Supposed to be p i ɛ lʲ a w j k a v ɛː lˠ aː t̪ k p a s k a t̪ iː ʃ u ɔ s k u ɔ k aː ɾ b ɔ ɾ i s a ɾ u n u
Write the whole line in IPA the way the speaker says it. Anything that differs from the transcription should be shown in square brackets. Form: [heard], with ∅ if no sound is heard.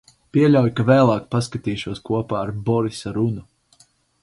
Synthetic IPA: p i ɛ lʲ a w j k a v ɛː lˠ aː [∅] k p a s k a t̪ iː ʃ u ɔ s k u ɔ [p] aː ɾ b ɔ ɾ i s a ɾ u n u